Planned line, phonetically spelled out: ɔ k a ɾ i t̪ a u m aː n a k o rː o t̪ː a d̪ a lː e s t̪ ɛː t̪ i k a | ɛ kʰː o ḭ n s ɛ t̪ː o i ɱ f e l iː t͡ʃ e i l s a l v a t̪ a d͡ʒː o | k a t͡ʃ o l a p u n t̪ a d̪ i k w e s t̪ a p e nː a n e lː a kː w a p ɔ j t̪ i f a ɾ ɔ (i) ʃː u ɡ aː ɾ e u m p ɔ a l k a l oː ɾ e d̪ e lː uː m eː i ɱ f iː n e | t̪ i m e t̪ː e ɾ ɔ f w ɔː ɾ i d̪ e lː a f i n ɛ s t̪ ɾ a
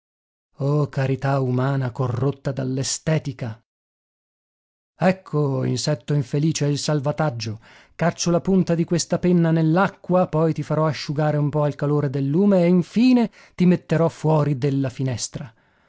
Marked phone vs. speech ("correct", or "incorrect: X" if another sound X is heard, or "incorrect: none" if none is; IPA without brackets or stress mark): incorrect: a